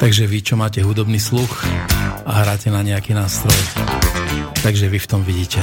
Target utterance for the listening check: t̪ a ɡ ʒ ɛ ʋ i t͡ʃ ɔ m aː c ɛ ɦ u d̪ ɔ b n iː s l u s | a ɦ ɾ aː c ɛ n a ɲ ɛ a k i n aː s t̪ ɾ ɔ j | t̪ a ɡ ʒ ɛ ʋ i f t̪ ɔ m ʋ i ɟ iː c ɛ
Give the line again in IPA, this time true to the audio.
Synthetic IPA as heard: t̪ a ɡ ʒ ɛ ʋ i t͡ʃ ɔ m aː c ɛ ɦ u d̪ ɔ b n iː s l u x | a ɦ ɾ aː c ɛ n a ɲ ɛ a k i n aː s t̪ ɾ ɔ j | t̪ a ɡ ʒ ɛ ʋ i f t̪ ɔ m ʋ i ɟ iː c ɛ